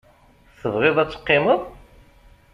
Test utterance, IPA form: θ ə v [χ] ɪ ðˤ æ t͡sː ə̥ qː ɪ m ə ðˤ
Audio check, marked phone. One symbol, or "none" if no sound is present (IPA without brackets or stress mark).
ʁ